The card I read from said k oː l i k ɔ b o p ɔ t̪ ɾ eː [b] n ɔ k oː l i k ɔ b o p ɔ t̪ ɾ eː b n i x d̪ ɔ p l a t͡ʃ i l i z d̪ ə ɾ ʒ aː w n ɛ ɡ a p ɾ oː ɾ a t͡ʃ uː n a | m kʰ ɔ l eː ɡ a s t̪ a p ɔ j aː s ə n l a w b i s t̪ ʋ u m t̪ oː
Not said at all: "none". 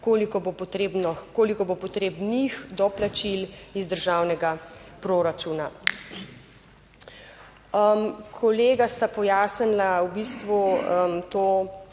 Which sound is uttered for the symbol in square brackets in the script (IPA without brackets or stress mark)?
b